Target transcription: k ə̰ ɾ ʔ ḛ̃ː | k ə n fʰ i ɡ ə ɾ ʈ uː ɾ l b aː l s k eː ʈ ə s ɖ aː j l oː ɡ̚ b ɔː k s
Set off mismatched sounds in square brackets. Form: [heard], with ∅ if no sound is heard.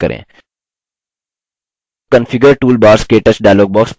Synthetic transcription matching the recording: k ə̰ ɾ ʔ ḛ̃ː | k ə n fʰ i ɡ ə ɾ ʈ uː [∅] l b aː [ɾ] s k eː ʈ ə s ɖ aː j l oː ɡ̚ b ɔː k s

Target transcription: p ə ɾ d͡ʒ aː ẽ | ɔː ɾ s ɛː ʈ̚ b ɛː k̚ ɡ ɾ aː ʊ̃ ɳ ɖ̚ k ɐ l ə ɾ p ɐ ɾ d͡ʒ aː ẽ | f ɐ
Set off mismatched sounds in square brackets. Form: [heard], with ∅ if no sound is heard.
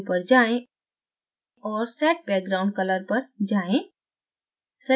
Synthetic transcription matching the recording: p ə ɾ d͡ʒ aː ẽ | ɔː ɾ s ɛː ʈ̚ b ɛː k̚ ɡ ɾ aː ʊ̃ ɳ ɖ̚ k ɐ l ə ɾ p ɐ ɾ d͡ʒ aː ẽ | [s] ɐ

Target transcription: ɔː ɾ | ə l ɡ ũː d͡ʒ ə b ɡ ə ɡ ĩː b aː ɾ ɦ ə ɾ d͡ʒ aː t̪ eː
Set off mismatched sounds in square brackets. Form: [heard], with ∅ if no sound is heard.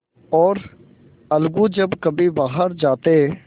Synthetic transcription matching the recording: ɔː ɾ | ə l ɡ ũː d͡ʒ ə b [k] ə [b] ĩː b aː [∅] ɦ ə ɾ d͡ʒ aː t̪ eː

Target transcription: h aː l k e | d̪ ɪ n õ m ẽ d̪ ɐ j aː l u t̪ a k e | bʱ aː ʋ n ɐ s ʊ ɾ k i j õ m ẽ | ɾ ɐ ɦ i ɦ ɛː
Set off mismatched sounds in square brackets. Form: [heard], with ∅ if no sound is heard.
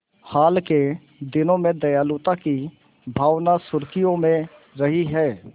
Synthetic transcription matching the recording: h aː l k e | d̪ ɪ n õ m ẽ d̪ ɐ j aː l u t̪ a k [i] | bʱ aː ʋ n [a] s ʊ ɾ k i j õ m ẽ | ɾ ɐ ɦ i ɦ ɛː

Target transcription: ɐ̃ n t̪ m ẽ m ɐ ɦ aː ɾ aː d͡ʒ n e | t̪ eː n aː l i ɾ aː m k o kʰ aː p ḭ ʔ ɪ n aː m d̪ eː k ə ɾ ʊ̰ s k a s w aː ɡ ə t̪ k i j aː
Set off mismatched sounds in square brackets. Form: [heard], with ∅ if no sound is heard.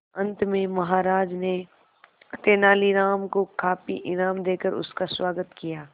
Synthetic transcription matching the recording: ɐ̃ n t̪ m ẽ m ɐ ɦ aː ɾ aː d͡ʒ n e | t̪ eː n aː l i ɾ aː m k o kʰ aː p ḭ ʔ ɪ n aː m d̪ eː k ə ɾ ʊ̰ s k a s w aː ɡ ə t̪ k i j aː

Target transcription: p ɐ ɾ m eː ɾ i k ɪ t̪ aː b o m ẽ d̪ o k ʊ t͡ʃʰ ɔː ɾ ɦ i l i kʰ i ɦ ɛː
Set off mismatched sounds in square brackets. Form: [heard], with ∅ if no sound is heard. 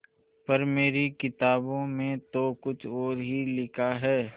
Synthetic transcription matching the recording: p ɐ ɾ m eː ɾ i k ɪ t̪ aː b [õ] m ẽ [t̪] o k ʊ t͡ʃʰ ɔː ɾ ɦ i l [ɪ] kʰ [a] ɦ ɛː

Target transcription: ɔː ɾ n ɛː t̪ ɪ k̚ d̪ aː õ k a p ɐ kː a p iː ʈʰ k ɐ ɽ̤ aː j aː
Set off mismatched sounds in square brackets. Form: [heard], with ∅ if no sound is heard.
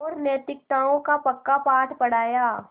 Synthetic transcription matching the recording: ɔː ɾ n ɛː t̪ ɪ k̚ [t̪] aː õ k a p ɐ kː a p [aː] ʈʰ [p] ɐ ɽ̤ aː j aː

